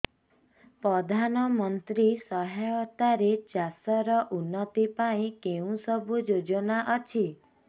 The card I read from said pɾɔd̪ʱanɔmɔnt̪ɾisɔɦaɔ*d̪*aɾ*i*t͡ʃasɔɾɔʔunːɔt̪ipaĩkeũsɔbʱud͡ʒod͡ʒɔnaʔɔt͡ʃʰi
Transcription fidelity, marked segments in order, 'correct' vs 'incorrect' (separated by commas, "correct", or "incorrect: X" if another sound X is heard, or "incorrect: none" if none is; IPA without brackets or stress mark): incorrect: t̪, incorrect: e